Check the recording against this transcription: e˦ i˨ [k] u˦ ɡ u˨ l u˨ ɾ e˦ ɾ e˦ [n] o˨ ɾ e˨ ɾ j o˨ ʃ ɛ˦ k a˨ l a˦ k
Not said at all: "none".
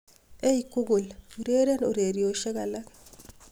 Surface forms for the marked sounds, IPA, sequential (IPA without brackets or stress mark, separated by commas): k, n